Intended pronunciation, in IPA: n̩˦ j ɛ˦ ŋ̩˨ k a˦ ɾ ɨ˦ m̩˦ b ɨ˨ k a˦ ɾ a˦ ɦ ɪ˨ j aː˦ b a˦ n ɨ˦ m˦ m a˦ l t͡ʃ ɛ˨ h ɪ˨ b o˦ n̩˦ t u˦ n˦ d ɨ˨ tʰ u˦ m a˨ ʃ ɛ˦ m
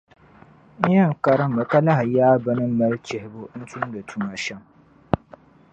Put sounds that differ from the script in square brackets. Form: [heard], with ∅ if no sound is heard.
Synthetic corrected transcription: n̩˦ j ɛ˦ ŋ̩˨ k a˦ ɾ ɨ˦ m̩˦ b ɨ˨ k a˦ [l] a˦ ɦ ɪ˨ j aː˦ b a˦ n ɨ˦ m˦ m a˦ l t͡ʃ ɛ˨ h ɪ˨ b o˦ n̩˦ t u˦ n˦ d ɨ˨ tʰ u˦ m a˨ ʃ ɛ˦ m